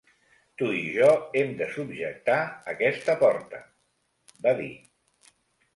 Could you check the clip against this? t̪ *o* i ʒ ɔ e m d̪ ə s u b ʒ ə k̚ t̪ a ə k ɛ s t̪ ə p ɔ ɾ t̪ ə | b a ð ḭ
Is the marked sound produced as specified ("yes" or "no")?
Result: no